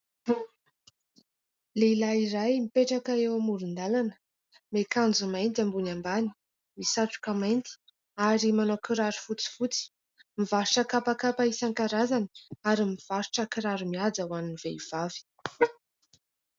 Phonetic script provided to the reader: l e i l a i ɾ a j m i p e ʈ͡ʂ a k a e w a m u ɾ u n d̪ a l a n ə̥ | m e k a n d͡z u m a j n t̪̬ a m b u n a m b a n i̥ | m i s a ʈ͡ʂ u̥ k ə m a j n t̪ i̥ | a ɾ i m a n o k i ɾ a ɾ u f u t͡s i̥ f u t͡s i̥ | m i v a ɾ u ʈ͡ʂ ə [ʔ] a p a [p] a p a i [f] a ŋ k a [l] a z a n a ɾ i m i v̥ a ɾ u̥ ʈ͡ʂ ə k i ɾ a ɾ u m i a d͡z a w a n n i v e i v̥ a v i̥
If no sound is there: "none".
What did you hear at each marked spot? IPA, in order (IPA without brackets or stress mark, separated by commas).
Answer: k, k, s, ɾ